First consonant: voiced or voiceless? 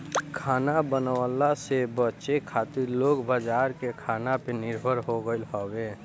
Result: voiceless